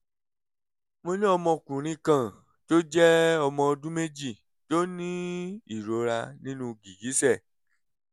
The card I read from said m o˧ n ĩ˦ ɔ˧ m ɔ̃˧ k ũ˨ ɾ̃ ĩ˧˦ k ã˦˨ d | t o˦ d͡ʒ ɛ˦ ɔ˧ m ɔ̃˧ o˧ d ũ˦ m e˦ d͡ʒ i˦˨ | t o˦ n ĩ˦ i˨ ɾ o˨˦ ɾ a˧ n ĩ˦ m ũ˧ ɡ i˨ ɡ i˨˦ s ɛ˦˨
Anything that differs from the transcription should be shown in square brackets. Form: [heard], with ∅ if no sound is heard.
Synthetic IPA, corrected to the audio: m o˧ n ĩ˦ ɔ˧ m ɔ̃˧ k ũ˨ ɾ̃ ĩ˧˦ k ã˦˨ [∅] | t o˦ d͡ʒ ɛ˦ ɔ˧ m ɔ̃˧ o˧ d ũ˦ m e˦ d͡ʒ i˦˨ | t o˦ n ĩ˦ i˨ ɾ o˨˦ ɾ a˧ n ĩ˦ [n] ũ˧ ɡ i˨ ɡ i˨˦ s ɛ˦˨

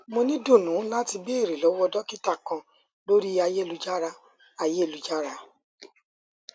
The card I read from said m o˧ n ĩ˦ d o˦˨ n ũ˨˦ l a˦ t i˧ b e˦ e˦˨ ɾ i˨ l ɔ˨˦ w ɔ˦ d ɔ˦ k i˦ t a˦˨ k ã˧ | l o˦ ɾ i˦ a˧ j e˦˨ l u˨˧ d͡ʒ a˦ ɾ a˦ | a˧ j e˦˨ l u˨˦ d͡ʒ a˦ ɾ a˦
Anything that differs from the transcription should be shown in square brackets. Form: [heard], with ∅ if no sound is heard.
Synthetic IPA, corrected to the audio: m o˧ n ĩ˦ d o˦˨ n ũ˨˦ l a˦ t i˧ b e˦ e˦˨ ɾ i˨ l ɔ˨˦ w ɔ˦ d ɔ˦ k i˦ t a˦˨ k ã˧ | l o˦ ɾ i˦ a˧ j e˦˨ l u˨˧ d͡ʒ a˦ ɾ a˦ | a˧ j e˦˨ l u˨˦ d͡ʒ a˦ ɾ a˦

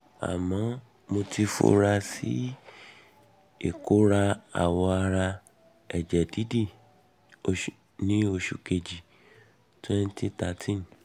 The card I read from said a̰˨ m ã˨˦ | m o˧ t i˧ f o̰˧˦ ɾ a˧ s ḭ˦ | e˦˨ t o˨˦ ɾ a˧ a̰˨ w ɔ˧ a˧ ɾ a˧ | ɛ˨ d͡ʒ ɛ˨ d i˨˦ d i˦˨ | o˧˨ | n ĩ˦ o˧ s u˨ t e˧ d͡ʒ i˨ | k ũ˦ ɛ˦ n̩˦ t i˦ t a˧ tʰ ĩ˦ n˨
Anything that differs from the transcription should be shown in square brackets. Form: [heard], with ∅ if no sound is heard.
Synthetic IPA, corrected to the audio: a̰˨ m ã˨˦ | m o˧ t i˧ f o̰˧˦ ɾ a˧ s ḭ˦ | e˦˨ [k] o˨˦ ɾ a˧ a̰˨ w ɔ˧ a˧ ɾ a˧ | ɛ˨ d͡ʒ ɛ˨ d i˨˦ d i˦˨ | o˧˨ | n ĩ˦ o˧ [ʃ] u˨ [k] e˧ d͡ʒ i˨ | [t] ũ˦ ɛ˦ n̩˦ t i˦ t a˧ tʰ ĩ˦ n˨

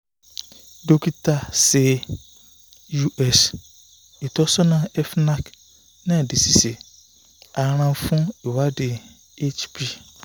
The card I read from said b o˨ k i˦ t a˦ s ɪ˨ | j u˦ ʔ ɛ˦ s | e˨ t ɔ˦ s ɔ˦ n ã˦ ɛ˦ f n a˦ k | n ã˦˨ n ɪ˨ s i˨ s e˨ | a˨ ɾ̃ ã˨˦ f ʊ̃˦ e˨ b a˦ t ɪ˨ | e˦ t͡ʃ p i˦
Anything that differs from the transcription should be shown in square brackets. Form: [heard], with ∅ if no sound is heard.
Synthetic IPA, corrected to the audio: [d] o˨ k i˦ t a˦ s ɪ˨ | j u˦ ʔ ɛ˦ s | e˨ t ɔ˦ s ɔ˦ n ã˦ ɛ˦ f n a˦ k | n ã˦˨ [d] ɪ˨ s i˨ s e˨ | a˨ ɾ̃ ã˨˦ f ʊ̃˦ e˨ [w] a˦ [d] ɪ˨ | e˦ t͡ʃ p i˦

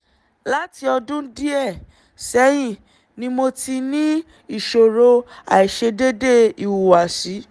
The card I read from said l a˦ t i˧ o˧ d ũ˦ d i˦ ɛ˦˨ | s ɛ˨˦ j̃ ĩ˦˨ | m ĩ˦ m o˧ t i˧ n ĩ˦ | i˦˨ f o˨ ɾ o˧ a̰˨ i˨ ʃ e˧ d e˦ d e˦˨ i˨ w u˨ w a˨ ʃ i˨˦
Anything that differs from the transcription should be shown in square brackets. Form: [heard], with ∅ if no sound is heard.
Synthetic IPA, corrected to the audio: l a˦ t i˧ [ɔ˧] d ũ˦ d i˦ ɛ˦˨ | s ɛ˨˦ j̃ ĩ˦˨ | [n] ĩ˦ m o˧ t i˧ n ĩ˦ | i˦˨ [ʃ] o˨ ɾ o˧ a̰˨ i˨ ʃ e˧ d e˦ d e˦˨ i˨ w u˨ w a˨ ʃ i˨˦

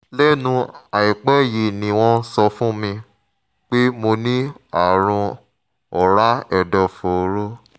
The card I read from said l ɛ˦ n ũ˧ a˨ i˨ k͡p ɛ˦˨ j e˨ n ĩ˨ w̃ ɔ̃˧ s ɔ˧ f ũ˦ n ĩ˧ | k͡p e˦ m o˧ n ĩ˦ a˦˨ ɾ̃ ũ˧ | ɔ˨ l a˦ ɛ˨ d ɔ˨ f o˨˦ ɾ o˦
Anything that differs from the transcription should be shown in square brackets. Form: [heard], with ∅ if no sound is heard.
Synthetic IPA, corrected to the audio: l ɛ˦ n ũ˧ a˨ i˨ k͡p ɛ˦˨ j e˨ n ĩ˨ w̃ ɔ̃˧ s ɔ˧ f ũ˦ [m] ĩ˧ | k͡p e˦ m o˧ n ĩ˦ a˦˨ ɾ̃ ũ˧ | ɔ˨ [ɾ] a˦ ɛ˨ d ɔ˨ f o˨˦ ɾ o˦

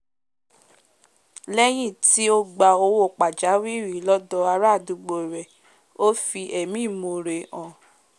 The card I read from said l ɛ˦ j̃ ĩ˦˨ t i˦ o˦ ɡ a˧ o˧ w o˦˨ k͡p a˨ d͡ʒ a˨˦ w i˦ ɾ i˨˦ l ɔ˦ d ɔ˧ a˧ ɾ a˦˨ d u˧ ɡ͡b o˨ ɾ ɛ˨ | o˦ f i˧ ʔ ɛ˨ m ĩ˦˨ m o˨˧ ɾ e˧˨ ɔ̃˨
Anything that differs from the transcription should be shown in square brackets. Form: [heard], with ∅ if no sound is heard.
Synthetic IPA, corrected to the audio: l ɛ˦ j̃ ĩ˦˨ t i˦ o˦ [ɡ͡b] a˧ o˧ w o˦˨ k͡p a˨ d͡ʒ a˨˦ w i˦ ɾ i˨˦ l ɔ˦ d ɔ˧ a˧ ɾ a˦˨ d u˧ ɡ͡b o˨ ɾ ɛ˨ | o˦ f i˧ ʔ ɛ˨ m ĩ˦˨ m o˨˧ ɾ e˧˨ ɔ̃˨

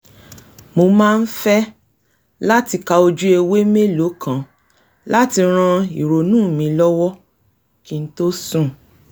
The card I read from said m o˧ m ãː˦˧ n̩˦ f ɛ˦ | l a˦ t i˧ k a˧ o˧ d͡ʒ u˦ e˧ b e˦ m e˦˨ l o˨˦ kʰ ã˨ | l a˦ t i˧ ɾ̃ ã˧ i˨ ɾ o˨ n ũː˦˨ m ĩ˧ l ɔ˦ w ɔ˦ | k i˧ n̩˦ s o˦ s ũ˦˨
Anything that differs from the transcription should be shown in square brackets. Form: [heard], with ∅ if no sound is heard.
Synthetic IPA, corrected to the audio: m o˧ m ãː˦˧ n̩˦ f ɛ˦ | l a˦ t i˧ k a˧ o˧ d͡ʒ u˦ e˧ [w] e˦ m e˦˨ l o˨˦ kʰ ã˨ | l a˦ t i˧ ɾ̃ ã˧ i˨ ɾ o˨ n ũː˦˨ m ĩ˧ l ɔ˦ w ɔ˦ | k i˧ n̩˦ [t] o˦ s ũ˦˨

